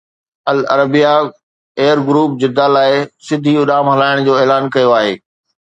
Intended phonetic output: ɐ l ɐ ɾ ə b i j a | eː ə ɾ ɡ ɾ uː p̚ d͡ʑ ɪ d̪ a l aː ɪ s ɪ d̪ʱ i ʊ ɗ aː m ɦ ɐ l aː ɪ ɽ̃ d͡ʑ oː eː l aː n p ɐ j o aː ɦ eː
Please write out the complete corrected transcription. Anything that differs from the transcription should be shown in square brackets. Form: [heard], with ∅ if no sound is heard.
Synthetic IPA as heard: ɐ l ɐ ɾ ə b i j a | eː ə ɾ ɡ ɾ uː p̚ d͡ʑ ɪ d̪ a l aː ɪ s ɪ d̪ʱ i ʊ ɗ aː m ɦ ɐ l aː ɪ ɽ̃ d͡ʑ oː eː l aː n [k] ɐ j o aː ɦ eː